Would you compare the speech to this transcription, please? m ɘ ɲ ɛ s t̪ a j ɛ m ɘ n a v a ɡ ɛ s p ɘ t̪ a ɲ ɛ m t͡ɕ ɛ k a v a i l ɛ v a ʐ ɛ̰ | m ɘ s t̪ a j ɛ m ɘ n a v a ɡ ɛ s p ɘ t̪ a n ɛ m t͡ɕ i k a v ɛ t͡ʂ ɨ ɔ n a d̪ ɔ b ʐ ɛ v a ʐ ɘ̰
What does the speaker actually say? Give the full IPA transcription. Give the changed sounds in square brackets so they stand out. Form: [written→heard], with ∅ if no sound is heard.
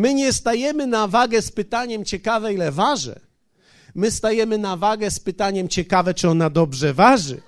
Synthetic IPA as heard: m ɘ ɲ ɛ s t̪ a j ɛ m ɘ n a v a ɡ ɛ s p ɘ t̪ a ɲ ɛ m t͡ɕ ɛ k a v [a→ɛ] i l ɛ v a ʐ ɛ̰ | m ɘ s t̪ a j ɛ m ɘ n a v a ɡ ɛ s p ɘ t̪ a [n→ɲ] ɛ m t͡ɕ [i→ɛ] k a v ɛ t͡ʂ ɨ ɔ n a d̪ ɔ b ʐ ɛ v a ʐ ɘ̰